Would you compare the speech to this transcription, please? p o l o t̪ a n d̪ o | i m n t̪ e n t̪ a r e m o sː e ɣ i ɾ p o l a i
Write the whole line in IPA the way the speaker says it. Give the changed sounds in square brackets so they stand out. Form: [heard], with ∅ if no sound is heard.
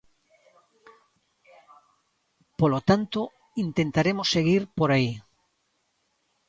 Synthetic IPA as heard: p o l o t̪ a n [t̪] o | i [∅] n t̪ e n t̪ a [ɾ] e m o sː e ɣ i ɾ p o [ɾ] a i